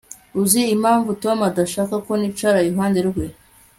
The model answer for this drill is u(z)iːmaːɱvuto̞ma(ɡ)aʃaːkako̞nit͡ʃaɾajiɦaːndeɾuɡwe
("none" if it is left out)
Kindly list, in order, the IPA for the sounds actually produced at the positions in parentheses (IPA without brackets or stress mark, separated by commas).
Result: z, d